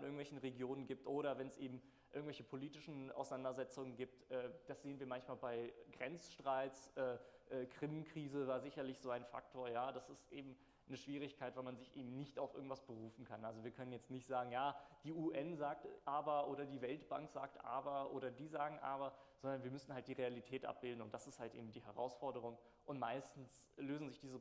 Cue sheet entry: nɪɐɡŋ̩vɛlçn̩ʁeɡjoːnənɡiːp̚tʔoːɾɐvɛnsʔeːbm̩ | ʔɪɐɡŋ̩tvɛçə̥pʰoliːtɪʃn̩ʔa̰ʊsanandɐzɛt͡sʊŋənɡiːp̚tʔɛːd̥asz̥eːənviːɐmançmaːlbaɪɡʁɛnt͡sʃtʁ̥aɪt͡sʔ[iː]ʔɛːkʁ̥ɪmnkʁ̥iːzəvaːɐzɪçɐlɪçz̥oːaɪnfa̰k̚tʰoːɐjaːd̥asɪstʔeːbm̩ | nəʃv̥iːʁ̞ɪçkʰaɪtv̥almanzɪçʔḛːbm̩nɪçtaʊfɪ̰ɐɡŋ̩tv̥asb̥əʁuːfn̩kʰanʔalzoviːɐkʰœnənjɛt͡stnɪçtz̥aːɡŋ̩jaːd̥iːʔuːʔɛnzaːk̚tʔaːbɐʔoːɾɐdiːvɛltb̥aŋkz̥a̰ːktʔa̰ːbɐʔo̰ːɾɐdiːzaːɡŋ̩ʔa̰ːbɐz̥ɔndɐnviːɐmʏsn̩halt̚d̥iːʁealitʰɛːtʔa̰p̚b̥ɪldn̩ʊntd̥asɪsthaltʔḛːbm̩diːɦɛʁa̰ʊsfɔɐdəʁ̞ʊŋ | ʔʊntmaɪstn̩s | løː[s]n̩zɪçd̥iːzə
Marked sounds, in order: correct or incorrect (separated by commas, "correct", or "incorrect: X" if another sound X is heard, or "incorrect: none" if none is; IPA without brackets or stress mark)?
incorrect: ɛː, incorrect: z